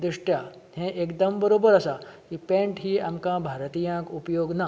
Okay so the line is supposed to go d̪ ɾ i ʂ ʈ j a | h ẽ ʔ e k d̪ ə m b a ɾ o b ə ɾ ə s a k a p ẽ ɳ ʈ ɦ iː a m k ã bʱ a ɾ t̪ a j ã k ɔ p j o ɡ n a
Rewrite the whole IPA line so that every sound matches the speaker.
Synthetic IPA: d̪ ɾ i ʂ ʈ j a | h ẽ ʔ e k d̪ ə m b ə ɾ o b ə ɾ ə s a k i p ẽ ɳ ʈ ɦ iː a m k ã bʱ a ɾ t̪ i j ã k u p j o ɡ n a